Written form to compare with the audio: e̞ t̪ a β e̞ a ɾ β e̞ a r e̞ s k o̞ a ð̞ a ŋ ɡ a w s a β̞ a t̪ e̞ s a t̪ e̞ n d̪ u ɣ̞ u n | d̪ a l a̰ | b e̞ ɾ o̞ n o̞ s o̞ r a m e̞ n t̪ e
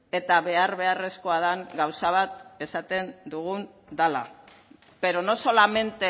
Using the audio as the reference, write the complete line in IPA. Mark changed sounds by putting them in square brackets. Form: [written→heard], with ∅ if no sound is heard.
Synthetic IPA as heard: e̞ t̪ a β e̞ a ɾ β e̞ a r e̞ s k o̞ a ð̞ a ŋ ɡ a w s a β̞ a t̪ e̞ s a t̪ e̞ n d̪ u ɣ̞ u n | d̪ a l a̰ | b e̞ ɾ o̞ n o̞ s o̞ [r→l] a m e̞ n t̪ e